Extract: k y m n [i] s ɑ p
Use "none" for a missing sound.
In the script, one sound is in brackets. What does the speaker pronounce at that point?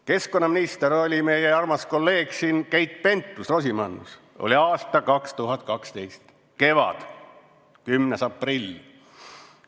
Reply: e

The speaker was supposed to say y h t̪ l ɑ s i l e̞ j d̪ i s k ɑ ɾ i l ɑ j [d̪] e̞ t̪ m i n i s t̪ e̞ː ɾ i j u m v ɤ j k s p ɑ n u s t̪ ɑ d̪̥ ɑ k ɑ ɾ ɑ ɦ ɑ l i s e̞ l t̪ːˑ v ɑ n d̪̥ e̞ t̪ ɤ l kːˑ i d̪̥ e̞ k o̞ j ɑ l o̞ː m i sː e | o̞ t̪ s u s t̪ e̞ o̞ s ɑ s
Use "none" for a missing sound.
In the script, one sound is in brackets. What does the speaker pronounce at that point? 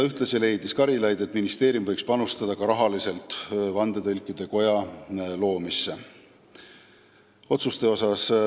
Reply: d̪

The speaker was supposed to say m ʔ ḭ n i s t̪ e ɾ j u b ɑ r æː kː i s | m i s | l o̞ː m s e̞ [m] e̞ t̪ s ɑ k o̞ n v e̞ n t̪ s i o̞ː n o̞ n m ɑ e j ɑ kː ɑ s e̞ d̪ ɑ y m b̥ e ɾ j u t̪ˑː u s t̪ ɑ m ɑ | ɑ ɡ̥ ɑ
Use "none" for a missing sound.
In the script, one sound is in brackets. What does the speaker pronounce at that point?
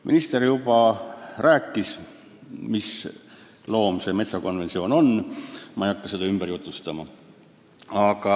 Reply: m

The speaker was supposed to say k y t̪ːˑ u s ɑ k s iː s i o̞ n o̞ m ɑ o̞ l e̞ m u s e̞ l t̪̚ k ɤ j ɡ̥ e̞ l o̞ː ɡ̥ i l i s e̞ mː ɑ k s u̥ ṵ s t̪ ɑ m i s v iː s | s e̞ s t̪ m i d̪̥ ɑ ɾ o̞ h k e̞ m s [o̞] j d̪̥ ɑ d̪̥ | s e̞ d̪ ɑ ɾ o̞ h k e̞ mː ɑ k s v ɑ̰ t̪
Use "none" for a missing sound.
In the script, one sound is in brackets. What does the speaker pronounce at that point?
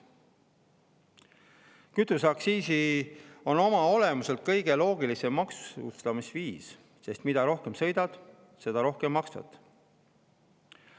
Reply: ɤ̞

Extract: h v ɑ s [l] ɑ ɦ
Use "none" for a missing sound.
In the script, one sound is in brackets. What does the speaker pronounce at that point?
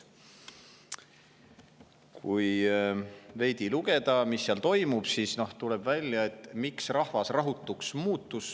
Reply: r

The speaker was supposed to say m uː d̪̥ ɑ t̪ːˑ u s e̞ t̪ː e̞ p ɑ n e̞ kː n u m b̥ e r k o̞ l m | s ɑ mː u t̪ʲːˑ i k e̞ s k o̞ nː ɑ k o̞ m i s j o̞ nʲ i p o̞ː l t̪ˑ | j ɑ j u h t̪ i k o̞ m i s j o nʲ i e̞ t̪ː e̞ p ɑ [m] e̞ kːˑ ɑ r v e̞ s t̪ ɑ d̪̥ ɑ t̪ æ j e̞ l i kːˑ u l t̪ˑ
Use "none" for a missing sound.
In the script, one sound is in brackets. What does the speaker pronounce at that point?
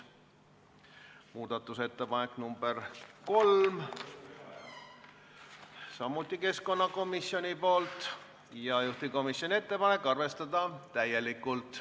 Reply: n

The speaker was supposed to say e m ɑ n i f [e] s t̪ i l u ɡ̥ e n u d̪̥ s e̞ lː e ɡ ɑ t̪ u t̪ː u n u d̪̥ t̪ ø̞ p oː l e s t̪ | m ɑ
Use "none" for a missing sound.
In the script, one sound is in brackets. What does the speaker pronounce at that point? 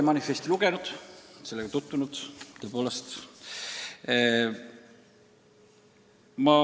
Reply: e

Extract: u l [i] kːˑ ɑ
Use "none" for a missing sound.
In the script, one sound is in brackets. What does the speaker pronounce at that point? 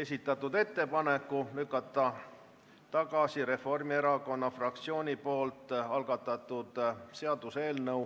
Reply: y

